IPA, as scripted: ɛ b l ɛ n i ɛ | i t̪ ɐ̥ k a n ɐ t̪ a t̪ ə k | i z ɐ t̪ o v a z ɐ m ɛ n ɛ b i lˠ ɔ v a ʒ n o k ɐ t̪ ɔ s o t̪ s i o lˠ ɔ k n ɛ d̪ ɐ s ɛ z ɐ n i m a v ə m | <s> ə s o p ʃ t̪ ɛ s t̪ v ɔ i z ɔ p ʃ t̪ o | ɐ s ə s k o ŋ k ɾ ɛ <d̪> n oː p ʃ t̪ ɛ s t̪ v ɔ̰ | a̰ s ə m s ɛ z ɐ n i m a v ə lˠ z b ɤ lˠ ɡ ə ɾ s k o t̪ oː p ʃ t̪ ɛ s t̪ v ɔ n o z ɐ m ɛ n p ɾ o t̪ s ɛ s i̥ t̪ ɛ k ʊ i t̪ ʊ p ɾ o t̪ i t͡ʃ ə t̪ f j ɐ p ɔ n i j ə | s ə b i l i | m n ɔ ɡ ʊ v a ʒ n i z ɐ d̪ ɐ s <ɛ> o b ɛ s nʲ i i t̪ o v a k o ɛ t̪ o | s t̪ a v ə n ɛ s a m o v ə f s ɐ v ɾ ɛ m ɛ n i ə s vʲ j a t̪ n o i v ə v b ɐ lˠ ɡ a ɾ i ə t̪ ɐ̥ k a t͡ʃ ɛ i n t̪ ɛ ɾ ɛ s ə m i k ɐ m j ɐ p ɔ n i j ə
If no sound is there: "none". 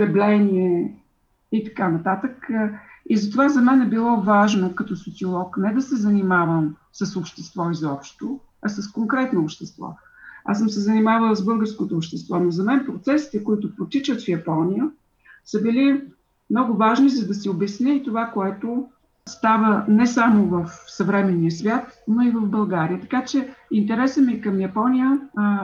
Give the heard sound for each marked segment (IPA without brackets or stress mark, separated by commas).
s, t̪, i